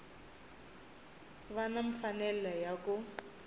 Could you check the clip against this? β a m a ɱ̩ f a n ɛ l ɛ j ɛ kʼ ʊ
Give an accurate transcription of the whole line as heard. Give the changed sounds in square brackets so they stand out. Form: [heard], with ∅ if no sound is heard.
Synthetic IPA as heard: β a [n] a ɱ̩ f a n ɛ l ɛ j [a] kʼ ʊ